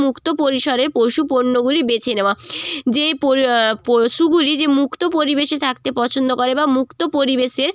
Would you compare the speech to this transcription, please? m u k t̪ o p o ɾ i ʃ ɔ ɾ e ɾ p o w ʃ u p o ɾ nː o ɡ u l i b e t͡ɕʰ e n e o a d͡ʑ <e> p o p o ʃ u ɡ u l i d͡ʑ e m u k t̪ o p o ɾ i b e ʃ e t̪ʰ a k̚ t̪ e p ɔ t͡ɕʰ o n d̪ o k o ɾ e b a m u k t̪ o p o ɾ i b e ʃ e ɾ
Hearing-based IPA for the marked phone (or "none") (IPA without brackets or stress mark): e